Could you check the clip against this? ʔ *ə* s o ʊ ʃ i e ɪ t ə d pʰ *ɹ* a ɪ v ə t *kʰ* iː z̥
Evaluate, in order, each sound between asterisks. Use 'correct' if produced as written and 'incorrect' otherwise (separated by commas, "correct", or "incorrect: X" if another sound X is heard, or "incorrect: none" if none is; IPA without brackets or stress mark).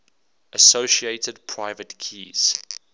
correct, correct, correct